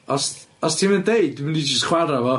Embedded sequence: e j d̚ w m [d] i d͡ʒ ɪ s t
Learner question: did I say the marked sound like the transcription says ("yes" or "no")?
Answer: no